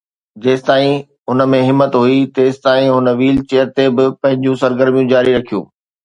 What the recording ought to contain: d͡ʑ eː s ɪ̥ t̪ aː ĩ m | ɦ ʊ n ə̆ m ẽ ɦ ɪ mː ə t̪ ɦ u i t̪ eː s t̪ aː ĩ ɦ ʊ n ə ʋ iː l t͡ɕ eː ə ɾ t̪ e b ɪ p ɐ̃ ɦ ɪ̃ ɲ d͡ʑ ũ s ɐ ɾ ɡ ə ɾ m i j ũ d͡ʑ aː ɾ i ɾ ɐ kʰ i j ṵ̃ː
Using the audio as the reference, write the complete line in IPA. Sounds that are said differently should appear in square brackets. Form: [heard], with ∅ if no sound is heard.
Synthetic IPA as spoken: d͡ʑ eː s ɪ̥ t̪ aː ĩ [∅] | ɦ ʊ n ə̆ m ẽ ɦ ɪ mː ə t̪ ɦ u i t̪ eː s t̪ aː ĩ ɦ ʊ n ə ʋ iː l t͡ɕ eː ə ɾ t̪ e b ɪ p ɐ̃ ɦ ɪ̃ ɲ d͡ʑ ũ s ɐ ɾ ɡ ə ɾ m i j ũ d͡ʑ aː ɾ i ɾ ɐ kʰ i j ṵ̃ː